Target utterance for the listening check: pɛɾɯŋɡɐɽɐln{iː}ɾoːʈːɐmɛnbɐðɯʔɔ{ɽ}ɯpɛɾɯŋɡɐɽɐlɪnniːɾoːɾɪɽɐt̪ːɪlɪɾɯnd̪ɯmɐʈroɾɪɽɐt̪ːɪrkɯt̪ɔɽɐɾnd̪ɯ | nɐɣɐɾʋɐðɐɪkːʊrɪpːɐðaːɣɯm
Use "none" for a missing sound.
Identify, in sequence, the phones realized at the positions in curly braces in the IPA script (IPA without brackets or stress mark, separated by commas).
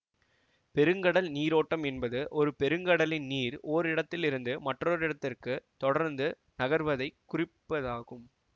iː, ɾ